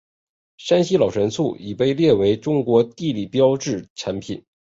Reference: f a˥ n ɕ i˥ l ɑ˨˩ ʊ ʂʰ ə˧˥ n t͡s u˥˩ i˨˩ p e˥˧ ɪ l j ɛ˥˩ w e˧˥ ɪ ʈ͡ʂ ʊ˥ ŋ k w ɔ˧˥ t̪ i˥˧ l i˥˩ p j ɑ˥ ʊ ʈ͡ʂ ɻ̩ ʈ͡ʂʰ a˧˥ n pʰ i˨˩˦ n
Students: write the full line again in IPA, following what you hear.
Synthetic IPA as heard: ʂ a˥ n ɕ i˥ l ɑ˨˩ ʊ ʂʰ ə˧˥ n t͡sʰ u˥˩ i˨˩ p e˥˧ ɪ l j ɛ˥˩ w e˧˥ ɪ ʈ͡ʂ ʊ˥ ŋ k w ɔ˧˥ t̪ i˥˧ l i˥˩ p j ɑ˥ ʊ ʈ͡ʂ ɻ̩ ʈ͡ʂʰ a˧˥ n pʰ i˨˩˦ n